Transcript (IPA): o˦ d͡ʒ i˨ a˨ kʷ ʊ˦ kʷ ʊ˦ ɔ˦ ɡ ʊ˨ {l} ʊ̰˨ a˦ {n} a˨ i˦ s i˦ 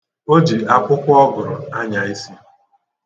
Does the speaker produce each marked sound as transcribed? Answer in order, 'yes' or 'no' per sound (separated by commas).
no, no